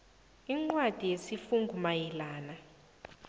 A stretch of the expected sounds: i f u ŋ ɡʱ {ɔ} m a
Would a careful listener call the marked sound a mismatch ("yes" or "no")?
yes